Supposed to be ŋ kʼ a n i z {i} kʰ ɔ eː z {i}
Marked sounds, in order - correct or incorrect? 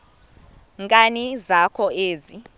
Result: incorrect, correct

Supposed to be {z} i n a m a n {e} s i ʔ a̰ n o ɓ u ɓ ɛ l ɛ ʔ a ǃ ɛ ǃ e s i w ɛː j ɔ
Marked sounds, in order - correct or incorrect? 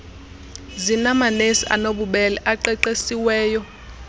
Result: correct, correct

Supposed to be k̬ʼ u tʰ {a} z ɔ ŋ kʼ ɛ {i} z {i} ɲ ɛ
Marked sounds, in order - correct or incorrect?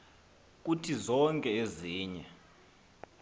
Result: incorrect, incorrect, incorrect

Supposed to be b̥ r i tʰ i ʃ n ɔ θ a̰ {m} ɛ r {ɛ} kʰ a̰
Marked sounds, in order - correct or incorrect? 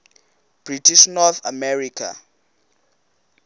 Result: correct, incorrect

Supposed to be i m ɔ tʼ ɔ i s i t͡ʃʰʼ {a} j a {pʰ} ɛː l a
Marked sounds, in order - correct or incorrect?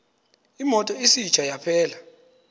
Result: correct, correct

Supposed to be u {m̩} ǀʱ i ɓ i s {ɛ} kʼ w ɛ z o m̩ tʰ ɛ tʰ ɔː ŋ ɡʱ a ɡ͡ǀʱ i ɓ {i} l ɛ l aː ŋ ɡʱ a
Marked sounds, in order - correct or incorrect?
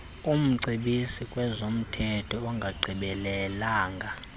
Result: correct, incorrect, incorrect

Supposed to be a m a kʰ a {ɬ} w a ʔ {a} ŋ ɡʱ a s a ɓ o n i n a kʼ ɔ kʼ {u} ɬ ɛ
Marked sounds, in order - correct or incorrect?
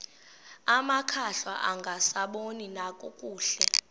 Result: correct, correct, incorrect

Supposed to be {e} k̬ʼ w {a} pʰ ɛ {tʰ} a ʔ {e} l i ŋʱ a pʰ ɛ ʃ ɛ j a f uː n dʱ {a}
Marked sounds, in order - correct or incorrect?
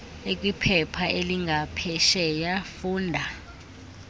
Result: correct, incorrect, incorrect, correct, correct

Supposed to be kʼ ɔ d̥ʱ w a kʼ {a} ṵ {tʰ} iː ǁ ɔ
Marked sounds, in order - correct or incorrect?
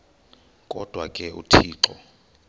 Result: incorrect, correct

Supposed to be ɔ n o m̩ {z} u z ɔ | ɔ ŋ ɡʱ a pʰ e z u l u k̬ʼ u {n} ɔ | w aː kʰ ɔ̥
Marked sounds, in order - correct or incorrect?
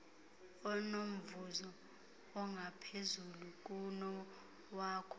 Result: incorrect, correct

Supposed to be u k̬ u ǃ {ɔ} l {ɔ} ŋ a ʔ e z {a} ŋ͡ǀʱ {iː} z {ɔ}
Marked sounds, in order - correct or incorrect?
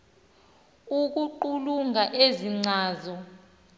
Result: incorrect, incorrect, incorrect, incorrect, correct

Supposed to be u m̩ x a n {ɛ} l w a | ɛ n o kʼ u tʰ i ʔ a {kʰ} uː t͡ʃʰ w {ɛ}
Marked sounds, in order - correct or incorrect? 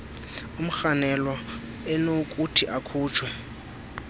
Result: correct, correct, correct

